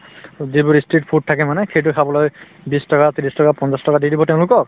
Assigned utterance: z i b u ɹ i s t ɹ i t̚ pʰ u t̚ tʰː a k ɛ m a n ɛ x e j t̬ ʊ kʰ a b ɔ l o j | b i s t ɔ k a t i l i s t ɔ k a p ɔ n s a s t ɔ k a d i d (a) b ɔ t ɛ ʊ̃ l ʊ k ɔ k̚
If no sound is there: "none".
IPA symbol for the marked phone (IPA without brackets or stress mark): i